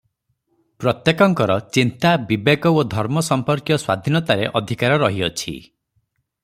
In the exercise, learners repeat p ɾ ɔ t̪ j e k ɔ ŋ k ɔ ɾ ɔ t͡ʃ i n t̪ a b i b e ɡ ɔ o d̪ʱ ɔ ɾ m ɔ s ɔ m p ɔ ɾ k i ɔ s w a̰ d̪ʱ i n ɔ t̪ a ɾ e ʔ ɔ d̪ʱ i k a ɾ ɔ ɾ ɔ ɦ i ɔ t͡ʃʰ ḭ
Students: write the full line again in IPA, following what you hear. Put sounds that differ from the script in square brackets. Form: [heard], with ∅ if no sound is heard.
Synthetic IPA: p ɾ ɔ t̪ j e k ɔ ŋ k ɔ ɾ ɔ t͡ʃ i n t̪ a b i b e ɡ ɔ o d̪ʱ ɔ ɾ m ɔ s ɔ m p ɔ ɾ k [j] ɔ s w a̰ d̪ʱ i n ɔ t̪ a ɾ e ʔ ɔ d̪ʱ i k a ɾ ɔ ɾ ɔ ɦ i ɔ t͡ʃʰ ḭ